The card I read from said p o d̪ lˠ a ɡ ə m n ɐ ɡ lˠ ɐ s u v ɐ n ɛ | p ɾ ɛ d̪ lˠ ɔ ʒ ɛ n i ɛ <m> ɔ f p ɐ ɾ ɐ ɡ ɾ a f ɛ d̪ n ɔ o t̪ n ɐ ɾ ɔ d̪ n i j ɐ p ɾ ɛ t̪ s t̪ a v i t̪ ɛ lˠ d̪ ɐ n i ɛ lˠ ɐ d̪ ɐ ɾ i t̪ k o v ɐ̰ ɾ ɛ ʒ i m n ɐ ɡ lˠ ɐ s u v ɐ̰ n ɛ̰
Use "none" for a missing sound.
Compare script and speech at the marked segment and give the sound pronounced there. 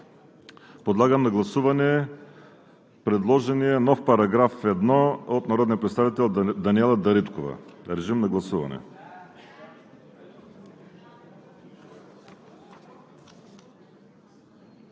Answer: n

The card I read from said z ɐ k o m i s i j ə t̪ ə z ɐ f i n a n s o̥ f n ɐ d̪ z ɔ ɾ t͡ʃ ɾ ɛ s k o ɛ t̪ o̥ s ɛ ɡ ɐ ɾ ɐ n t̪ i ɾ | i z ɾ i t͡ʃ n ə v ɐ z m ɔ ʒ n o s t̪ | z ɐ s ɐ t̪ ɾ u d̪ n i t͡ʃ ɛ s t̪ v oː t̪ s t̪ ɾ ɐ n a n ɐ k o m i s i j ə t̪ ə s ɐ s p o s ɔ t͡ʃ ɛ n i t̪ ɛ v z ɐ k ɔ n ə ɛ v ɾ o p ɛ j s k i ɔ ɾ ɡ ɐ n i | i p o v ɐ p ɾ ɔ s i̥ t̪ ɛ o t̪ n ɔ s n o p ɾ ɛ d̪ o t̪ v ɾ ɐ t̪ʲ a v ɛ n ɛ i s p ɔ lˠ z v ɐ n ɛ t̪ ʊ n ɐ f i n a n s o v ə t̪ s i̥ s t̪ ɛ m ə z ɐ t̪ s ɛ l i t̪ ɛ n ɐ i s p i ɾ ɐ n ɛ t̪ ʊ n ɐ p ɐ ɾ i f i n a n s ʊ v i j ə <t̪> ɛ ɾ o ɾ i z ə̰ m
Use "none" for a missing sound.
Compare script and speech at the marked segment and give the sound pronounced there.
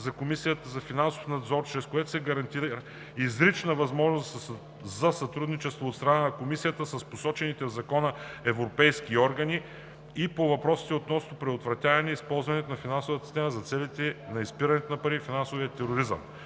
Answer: t̪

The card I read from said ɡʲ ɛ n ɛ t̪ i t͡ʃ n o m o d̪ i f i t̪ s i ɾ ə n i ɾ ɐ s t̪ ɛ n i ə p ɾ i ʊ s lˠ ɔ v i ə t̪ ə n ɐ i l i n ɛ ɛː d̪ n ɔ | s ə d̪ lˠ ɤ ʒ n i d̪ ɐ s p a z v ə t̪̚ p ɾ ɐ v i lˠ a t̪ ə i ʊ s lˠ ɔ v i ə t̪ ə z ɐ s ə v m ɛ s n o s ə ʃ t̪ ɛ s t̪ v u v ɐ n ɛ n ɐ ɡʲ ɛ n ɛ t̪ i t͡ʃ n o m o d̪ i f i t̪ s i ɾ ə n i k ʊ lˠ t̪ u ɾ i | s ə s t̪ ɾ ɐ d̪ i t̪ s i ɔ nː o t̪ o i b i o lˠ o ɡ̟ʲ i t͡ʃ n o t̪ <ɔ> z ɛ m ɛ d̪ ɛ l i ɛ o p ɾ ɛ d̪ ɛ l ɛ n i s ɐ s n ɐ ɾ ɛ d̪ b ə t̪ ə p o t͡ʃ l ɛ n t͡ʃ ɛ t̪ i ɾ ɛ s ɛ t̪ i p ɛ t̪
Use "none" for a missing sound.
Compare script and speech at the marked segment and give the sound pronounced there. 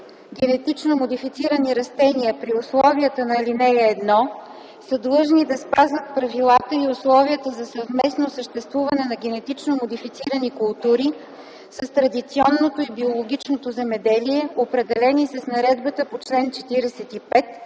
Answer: o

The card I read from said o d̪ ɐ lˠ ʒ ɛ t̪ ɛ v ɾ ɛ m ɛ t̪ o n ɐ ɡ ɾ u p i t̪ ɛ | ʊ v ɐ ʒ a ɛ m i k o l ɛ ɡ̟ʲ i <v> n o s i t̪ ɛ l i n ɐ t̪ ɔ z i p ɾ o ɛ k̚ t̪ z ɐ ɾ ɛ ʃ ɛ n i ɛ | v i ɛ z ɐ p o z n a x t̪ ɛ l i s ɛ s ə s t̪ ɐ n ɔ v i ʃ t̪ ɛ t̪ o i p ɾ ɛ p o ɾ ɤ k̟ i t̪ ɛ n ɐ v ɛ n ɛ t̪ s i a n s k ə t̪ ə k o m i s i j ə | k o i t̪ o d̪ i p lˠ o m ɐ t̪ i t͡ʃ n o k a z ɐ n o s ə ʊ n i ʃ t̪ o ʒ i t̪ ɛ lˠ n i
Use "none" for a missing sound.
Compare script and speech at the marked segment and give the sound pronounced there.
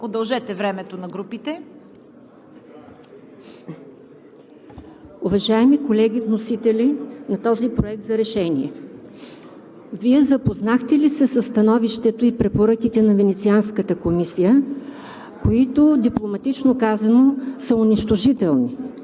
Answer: v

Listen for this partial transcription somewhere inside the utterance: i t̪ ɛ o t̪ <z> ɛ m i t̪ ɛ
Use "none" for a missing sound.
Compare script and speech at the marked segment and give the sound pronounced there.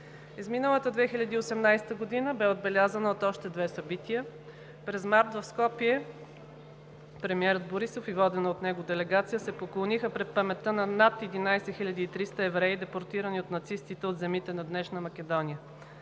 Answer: z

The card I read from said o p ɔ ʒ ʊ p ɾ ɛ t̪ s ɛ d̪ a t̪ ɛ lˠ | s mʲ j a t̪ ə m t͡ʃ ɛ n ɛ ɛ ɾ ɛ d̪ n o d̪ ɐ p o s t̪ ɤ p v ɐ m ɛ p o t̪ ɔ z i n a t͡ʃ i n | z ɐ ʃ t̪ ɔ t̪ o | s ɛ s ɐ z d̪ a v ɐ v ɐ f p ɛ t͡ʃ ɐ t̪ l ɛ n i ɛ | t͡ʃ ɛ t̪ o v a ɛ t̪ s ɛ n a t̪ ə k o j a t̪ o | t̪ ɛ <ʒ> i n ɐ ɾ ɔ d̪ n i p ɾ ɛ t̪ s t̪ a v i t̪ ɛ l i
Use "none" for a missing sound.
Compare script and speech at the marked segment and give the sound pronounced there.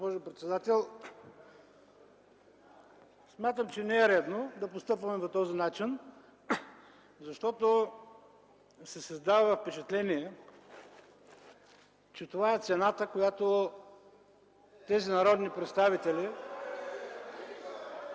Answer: z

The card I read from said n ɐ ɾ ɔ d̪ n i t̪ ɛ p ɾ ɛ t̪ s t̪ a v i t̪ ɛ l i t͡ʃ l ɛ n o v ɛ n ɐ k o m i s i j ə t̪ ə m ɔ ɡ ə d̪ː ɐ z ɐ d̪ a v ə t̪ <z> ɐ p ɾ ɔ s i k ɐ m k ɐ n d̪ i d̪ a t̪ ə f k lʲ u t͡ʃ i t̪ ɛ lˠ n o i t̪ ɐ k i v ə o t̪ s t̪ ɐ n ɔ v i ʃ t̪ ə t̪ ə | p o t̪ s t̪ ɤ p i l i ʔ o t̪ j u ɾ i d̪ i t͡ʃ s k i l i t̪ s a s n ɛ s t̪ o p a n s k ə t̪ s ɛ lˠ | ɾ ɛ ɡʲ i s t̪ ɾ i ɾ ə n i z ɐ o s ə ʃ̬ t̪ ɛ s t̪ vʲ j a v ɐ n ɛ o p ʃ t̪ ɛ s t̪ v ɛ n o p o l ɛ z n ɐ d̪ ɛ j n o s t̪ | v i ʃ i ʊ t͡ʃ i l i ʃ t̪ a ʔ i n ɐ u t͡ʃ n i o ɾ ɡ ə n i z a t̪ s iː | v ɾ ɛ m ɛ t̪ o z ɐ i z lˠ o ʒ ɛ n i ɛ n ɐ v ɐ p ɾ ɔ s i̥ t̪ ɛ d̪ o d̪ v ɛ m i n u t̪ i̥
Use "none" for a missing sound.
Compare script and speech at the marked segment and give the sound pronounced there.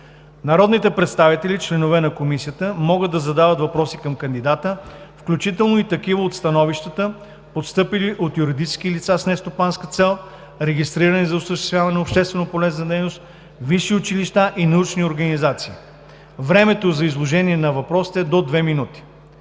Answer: v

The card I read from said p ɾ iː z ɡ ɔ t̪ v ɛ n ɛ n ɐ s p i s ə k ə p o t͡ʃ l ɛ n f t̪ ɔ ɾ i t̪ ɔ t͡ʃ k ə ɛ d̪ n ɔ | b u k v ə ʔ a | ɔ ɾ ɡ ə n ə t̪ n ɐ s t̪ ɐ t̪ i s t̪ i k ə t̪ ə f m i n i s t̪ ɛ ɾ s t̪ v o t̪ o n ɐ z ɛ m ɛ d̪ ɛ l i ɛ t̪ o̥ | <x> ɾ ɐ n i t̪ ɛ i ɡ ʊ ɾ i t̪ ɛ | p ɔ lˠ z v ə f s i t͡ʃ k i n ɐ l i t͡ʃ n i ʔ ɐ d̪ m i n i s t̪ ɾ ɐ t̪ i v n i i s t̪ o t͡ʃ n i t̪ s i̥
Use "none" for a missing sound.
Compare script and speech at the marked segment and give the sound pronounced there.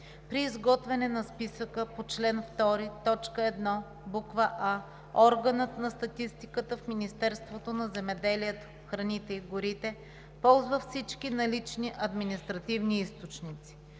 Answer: x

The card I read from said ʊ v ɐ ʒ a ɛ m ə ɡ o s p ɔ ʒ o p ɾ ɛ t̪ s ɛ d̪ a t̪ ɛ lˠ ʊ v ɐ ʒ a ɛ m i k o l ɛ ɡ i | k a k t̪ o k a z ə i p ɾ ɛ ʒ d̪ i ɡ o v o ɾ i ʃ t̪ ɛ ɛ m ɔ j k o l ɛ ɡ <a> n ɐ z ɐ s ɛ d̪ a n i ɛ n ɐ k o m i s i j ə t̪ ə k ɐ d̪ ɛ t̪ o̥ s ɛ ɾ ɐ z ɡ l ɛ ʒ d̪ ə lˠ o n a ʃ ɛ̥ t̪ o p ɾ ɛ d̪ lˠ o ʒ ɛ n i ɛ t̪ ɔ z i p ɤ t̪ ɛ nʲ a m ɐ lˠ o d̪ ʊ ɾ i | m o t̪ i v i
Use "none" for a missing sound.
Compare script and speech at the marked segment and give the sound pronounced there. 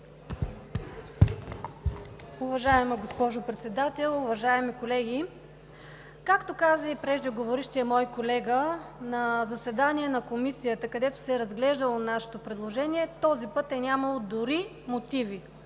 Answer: ə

